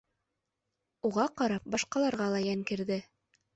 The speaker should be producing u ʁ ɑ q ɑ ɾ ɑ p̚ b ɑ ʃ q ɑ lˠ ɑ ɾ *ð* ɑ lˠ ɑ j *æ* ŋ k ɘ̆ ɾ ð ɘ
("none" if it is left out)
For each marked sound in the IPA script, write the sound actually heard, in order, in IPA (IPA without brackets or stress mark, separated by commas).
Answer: ʁ, æ